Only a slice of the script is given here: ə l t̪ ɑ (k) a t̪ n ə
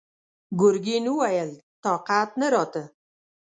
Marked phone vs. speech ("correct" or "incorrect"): incorrect